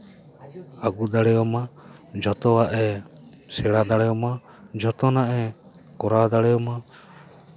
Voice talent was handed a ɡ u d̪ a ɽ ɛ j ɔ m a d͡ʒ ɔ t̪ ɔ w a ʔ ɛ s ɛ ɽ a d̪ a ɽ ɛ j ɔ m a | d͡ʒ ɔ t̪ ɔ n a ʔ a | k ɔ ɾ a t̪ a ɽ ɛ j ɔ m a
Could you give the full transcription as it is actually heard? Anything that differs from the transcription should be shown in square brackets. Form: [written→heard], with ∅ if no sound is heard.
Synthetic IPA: a ɡ u d̪ a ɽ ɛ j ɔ m a d͡ʒ ɔ t̪ ɔ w a ʔ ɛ s ɛ ɽ a d̪ a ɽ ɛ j ɔ m a | d͡ʒ ɔ t̪ ɔ n a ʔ [a→ɛ] | k ɔ ɾ a [t̪→d̪] a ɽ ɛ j ɔ m a